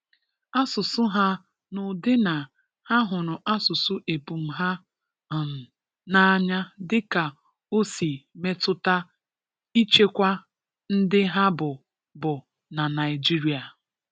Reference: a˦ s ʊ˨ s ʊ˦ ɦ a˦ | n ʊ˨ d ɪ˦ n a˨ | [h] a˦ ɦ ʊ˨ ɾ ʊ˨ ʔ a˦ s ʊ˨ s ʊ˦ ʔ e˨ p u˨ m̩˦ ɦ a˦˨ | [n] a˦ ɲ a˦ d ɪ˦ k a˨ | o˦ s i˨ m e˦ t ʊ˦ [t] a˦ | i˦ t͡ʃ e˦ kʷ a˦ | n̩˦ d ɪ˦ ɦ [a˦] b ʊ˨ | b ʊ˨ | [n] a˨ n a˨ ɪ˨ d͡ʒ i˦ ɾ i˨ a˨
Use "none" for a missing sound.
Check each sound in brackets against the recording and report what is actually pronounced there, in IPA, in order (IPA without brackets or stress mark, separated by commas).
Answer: h, n, t, a˦, n